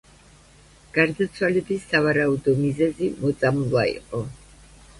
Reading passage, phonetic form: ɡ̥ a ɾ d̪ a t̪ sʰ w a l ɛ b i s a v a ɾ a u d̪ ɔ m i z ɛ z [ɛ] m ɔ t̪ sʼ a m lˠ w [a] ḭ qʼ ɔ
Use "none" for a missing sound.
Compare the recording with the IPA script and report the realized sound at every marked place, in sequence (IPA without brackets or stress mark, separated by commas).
i, a